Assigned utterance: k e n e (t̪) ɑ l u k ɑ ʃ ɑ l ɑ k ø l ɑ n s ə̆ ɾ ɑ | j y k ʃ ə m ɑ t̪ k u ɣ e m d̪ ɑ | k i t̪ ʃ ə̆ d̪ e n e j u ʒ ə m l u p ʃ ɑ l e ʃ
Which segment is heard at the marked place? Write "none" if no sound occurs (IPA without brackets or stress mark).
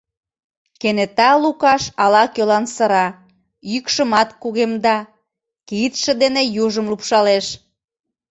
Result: t̪